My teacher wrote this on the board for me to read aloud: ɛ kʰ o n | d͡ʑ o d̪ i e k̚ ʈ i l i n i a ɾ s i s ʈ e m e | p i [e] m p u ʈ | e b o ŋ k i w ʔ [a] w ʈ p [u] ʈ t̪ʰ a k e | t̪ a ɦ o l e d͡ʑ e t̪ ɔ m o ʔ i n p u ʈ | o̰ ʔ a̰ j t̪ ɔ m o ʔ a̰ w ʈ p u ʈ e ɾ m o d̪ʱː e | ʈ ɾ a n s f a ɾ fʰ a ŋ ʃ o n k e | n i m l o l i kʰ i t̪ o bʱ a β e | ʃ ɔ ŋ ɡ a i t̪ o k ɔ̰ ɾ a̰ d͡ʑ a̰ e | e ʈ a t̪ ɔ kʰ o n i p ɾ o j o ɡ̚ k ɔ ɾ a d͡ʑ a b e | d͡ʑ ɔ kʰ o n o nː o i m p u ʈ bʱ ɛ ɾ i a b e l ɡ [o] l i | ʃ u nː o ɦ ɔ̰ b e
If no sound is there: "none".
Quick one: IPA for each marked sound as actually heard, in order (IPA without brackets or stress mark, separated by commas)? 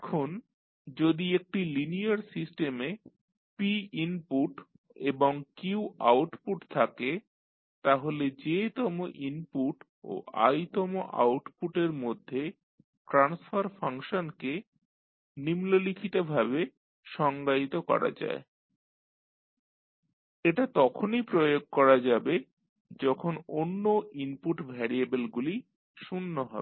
i, a, u, u